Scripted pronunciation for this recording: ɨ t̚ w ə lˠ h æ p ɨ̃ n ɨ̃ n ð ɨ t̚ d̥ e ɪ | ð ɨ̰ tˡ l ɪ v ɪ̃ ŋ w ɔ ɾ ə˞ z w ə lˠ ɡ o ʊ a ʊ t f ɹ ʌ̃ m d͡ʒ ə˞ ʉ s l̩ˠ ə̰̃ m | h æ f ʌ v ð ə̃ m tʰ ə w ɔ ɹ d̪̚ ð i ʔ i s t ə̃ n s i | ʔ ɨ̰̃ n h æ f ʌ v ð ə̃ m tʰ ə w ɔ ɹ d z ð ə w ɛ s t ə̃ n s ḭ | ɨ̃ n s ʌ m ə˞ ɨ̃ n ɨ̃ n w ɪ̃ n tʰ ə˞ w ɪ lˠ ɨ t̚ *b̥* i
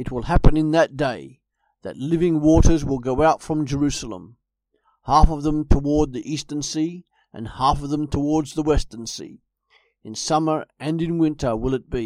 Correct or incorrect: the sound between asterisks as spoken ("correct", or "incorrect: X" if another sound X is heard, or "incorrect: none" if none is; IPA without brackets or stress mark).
correct